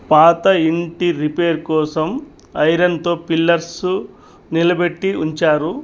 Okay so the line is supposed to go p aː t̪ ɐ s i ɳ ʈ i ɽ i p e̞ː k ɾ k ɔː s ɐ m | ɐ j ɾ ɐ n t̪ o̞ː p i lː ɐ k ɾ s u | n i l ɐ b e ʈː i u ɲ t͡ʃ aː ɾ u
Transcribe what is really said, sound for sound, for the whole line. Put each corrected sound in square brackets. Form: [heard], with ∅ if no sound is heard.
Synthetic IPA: p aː t̪ ɐ [∅] i ɳ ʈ i [ɾ] i p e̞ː [∅] ɾ k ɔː s ɐ m | ɐ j ɾ ɐ n t̪ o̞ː p i lː ɐ [∅] ɾ s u | n i l ɐ b e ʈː i u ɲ t͡ʃ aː ɾ u